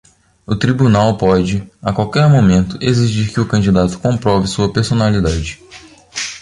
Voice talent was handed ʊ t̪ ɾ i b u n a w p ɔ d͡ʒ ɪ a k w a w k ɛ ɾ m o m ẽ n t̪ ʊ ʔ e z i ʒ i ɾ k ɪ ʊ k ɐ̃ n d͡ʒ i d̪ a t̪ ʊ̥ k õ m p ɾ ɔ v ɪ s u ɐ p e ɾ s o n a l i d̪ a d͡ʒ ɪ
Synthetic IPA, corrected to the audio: ʊ t̪ ɾ i b u n a w p ɔ d͡ʒ ɪ a k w a w k ɛ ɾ m o m ẽ n t̪ ʊ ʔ e z i ʒ i ɾ k ɪ ʊ k ɐ̃ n d͡ʒ i d̪ a t̪ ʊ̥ k õ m p ɾ ɔ v ɪ s u ɐ p e ɾ s o n a l i d̪ a d͡ʒ ɪ

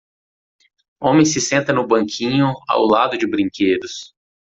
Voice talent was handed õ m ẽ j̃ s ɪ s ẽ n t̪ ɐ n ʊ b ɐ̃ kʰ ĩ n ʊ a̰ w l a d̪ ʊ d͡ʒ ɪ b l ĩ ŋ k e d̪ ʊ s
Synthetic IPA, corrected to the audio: õ m ẽ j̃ s ɪ s ẽ n t̪ ɐ n ʊ b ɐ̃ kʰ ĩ ɲ ʊ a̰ w l a d̪ ʊ d͡ʒ ɪ b ɾ ĩ ŋ k e d̪ ʊ s

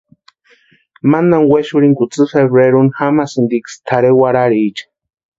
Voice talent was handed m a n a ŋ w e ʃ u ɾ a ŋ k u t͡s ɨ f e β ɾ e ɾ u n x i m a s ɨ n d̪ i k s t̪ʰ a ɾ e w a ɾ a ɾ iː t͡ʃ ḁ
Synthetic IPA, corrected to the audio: m a n a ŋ w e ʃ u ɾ i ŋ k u t͡s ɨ f e β ɾ e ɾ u n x a m a s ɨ n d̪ i k s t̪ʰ a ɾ e w a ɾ a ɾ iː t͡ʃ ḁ

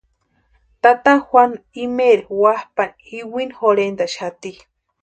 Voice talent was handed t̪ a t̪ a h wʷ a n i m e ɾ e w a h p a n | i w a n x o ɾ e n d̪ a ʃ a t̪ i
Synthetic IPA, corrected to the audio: t̪ a t̪ a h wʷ a n i m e ɾ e w a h p a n | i w i n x o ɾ e n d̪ a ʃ a t̪ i

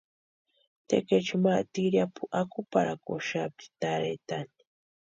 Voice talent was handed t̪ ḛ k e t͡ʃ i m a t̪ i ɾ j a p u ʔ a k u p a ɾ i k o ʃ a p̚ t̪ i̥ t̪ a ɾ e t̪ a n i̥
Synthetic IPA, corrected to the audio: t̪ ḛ k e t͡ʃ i m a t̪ i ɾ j a p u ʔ a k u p a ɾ a k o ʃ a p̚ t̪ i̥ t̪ a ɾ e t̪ a n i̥

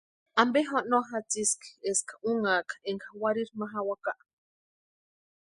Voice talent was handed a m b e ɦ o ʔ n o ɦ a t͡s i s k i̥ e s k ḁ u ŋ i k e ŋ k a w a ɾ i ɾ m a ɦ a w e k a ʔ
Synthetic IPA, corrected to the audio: a m b e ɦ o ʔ n o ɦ a t͡s i s k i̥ e s k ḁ u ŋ a k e ŋ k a w a ɾ i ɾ m a ɦ a w a k a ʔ

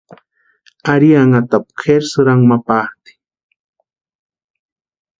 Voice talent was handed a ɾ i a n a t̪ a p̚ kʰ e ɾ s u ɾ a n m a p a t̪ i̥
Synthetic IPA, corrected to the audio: a ɾ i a ŋ a t̪ a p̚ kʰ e ɾ s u ɾ a ŋ m a p a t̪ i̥

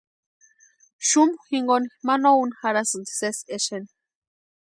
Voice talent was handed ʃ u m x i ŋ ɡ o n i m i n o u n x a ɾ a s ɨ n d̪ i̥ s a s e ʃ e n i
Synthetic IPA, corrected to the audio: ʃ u m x i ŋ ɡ o n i m a n o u n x a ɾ a s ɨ n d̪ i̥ s e s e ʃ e n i

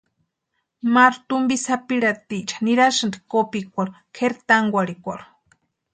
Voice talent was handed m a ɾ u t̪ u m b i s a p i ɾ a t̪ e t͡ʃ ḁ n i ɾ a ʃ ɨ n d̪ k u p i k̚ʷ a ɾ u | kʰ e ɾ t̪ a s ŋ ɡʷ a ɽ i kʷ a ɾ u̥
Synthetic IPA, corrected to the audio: m a ɾ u t̪ u m b i s a p i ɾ a t̪ i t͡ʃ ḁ n i ɾ a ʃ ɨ n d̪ k o p i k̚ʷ a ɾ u | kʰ e ɾ t̪ a ŋ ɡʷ a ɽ i kʷ a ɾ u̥

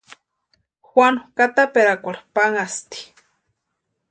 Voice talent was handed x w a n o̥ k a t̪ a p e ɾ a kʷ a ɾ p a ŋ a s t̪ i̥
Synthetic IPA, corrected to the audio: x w a n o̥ k a t̪ a p e ɾ a kʷ a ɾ p a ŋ a s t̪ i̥

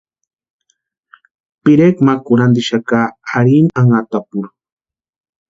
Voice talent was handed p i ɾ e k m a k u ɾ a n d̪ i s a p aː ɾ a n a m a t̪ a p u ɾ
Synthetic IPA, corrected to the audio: p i ɾ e k m a k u ɾ a n d̪ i ʃ a k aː ɾ i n a ŋ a t̪ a p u ɾ

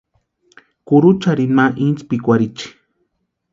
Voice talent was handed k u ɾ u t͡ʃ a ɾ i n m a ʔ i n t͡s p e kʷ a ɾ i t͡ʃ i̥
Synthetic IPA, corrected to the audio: k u ɾ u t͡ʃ a ɾ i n m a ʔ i n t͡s p i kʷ a ɾ i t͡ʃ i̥

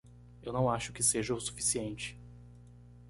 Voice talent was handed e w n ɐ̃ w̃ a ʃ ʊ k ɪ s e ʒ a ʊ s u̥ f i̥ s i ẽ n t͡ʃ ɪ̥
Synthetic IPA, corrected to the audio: e w n ɐ̃ w̃ a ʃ ʊ k ɪ s e ʒ ɐ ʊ s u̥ f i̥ s i ẽ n t͡ʃ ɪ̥

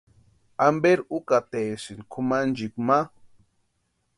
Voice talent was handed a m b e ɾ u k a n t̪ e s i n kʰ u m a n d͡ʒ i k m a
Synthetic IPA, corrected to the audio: a m b e ɾ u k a t̪ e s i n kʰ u m a n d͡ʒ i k m a

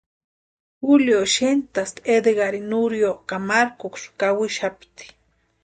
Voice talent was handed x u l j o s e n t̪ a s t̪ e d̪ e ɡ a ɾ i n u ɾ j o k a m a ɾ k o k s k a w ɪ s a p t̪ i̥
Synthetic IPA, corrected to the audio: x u l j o ʃ e n t̪ a s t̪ e d̪ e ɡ a ɾ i n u ɾ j o k a m a ɾ k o k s k a w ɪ ʃ a p t̪ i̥

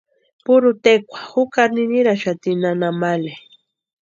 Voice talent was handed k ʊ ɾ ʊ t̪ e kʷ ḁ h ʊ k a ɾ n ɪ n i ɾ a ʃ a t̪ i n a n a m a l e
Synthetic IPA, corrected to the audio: p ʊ ɾ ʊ t̪ e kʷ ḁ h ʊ k a ɾ n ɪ n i ɾ a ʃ a t̪ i n a n a m a l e

